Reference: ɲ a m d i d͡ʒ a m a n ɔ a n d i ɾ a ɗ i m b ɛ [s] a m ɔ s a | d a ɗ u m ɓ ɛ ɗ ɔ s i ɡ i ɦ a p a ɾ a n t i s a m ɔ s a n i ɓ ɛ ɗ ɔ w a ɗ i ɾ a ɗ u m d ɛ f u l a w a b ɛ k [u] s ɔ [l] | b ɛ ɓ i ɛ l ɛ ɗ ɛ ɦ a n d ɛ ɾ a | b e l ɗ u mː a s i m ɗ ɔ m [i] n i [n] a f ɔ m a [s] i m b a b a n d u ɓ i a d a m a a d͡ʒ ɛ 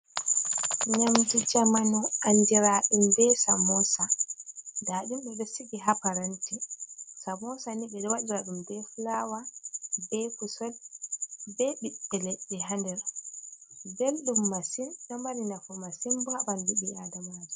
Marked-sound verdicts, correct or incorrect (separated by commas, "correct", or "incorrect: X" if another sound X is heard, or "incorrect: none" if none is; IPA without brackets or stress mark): correct, correct, correct, incorrect: a, correct, correct